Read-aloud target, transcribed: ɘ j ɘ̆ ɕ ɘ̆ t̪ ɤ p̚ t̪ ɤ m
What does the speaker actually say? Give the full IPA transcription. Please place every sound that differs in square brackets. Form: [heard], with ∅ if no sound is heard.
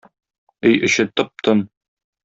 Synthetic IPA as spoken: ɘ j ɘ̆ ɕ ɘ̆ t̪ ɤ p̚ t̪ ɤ [n]